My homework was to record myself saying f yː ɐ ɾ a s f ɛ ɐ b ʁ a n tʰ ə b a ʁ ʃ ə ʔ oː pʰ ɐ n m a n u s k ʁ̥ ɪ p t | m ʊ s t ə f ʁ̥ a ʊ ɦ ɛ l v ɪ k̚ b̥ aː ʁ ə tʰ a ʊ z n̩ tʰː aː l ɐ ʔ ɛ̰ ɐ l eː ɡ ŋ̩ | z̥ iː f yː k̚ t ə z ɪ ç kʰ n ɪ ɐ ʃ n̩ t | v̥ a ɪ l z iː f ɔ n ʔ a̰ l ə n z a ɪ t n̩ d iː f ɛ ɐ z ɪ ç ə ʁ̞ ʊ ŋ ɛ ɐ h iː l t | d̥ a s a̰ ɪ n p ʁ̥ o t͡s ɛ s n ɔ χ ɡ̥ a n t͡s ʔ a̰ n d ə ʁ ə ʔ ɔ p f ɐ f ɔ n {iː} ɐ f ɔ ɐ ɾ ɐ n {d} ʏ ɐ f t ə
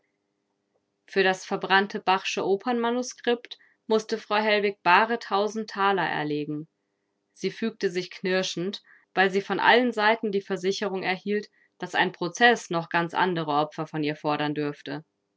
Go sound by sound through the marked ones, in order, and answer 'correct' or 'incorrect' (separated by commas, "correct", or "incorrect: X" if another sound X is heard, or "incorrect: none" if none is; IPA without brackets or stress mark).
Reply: correct, correct